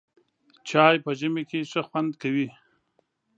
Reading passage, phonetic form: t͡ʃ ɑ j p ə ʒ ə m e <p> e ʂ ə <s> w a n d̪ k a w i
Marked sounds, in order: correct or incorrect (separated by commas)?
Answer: incorrect, incorrect